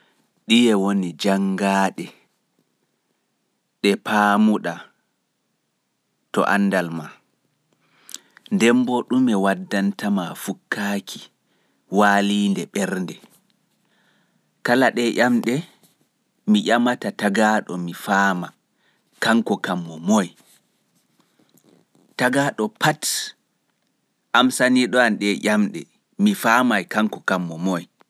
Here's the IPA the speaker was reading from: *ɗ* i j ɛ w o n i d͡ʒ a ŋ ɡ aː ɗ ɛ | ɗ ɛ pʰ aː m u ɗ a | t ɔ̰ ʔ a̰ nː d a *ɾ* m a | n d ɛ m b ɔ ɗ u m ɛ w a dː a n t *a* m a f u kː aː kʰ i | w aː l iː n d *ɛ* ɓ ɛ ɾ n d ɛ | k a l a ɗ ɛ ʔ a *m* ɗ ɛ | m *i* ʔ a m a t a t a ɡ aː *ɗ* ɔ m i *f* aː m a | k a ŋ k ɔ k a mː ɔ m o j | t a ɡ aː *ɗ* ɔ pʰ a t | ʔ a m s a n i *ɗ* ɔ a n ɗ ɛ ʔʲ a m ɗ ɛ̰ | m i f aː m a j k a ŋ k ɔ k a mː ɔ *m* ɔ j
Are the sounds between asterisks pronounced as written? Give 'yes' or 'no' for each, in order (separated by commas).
yes, no, yes, yes, yes, yes, yes, yes, yes, yes, yes